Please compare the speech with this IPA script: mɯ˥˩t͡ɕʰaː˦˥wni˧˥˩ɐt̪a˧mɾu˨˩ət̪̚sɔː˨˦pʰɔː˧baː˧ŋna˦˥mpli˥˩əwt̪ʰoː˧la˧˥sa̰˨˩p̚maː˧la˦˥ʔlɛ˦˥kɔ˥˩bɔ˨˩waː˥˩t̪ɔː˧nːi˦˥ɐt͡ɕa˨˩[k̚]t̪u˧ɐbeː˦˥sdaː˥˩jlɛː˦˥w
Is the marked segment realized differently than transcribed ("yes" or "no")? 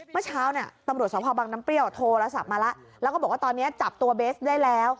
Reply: yes